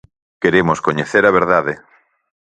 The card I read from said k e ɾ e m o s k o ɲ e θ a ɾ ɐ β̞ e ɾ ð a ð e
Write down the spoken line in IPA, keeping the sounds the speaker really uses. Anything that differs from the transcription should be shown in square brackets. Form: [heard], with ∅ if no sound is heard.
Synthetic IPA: k e ɾ e m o s k o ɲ e θ [e] ɾ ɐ β̞ e ɾ ð a ð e